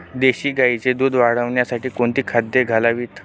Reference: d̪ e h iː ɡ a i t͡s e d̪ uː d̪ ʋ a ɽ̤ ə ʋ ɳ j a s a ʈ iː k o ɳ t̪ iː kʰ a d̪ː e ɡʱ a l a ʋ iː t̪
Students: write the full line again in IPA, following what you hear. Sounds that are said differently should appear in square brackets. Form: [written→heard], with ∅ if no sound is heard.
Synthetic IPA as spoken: d̪ e [h→ɕ] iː ɡ a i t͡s e d̪ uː d̪ ʋ a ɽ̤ ə ʋ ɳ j a s a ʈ iː k o ɳ t̪ iː kʰ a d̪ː e ɡʱ a l a ʋ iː t̪

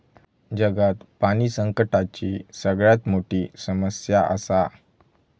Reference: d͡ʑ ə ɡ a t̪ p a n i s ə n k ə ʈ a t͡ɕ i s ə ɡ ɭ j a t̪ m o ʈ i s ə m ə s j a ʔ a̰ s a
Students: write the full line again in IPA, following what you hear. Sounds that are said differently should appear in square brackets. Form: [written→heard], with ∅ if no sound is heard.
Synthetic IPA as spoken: d͡ʑ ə ɡ a t̪ p a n i s ə [n→ŋ] k ə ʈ a t͡ɕ i s ə ɡ ɭ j a t̪ m o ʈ i s ə m ə s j a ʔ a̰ s a

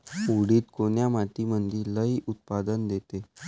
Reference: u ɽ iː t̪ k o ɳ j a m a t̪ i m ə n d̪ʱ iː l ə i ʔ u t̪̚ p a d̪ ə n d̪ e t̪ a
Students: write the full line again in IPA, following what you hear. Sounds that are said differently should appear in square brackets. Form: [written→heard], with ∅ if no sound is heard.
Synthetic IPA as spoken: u ɽ iː t̪ k o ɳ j a m a t̪ i m ə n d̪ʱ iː l ə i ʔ u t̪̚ p a d̪ ə n d̪ e t̪ [a→e]

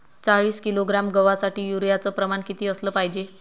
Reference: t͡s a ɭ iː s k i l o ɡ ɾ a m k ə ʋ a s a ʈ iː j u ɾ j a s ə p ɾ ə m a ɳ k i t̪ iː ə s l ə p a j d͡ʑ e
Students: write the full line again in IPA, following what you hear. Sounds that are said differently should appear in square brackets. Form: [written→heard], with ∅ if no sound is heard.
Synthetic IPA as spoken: t͡s a ɭ iː s k i l o ɡ ɾ a m [k→ɡ] ə ʋ a s a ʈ iː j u ɾ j a [s→t͡s] ə p ɾ ə m a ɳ k i t̪ iː ə s l ə p a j d͡ʑ e

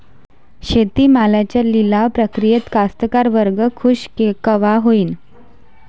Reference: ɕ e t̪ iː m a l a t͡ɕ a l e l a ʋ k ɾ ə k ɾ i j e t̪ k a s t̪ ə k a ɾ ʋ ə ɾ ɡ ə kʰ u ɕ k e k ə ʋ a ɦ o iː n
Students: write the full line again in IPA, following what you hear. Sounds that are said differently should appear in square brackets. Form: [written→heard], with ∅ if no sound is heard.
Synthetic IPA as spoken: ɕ e t̪ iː m a l a t͡ɕ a l [e→i] l a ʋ [k→p] ɾ ə k ɾ i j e t̪ k a s t̪ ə k a ɾ ʋ ə ɾ ɡ ə kʰ u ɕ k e k ə ʋ a ɦ o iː n

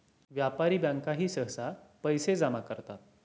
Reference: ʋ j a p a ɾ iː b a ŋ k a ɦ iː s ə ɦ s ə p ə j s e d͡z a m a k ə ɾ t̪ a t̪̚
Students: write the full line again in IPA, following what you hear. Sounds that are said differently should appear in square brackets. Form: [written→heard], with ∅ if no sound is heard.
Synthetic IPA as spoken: ʋ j a p a ɾ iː b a ŋ k a ɦ iː s ə ɦ s [ə→a] p ə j s e d͡z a m a k ə ɾ t̪ a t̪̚

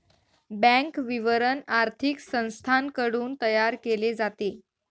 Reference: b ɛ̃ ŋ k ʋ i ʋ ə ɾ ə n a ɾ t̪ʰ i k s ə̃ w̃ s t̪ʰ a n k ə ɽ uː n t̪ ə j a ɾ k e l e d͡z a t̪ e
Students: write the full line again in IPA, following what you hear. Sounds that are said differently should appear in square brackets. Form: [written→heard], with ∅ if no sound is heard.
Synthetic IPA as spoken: b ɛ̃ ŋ k ʋ i ʋ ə ɾ ə n a ɾ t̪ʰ i k s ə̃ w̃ s t̪ʰ a n k ə ɽ uː n t̪ ə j a ɾ k e l e d͡z a t̪ e

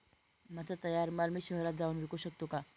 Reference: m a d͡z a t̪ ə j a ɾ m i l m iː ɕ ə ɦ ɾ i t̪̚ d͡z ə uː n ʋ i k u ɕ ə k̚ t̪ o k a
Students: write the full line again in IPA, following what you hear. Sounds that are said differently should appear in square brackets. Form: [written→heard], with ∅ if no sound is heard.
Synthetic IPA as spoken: m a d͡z a t̪ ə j a ɾ m [i→a] l m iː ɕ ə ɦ ɾ [i→a] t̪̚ d͡z [ə→a] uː n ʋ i k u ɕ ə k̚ t̪ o k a

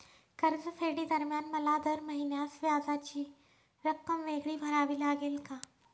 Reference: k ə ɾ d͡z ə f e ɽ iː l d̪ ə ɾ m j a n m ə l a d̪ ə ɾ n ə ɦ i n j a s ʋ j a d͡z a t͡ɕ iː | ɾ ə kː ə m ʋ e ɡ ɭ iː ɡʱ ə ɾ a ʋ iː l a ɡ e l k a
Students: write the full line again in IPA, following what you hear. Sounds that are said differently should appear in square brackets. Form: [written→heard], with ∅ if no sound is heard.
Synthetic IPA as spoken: k ə ɾ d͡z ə f e ɽ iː [l→∅] d̪ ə ɾ m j a n m ə l a d̪ ə ɾ [n→m] ə ɦ i n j a s ʋ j a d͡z a t͡ɕ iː | ɾ ə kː ə m ʋ e ɡ ɭ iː [ɡʱ→bʱ] ə ɾ a ʋ iː l a ɡ e l k a

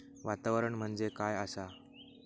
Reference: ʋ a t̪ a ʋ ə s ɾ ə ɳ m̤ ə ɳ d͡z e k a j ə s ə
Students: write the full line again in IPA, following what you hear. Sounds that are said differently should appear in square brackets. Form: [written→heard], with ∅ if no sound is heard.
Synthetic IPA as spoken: ʋ a t̪ a ʋ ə [s→∅] ɾ ə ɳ m̤ ə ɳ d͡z e k a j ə s [ə→a]

